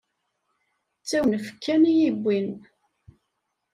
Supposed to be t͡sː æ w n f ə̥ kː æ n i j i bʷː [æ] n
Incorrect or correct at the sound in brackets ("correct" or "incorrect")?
incorrect